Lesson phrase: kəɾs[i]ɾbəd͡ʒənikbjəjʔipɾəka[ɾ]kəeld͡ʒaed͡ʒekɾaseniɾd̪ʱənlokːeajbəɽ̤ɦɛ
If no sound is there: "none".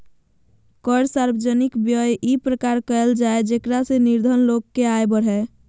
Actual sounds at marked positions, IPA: a, ɾ

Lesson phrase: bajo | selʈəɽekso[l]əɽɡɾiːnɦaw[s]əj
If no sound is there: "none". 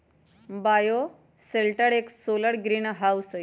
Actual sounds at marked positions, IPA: l, s

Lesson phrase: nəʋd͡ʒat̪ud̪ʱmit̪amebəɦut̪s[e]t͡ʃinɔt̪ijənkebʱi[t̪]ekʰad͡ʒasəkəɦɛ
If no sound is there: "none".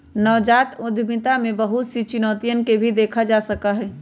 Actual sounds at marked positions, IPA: i, d̪

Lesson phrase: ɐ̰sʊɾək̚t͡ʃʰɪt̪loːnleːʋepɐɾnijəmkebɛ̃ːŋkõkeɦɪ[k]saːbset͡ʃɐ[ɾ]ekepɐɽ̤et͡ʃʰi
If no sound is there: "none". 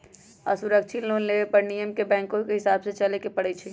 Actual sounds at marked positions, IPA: none, l

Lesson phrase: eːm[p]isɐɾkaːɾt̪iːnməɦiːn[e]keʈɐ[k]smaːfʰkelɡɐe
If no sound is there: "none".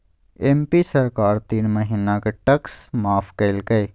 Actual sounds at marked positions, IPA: p, a, k

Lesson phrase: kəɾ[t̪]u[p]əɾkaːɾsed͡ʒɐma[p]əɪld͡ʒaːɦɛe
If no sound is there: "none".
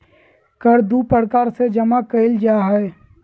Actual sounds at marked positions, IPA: d̪, p, k

